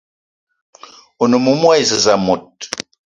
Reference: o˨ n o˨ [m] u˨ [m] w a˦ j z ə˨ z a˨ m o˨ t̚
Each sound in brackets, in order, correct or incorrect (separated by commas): correct, correct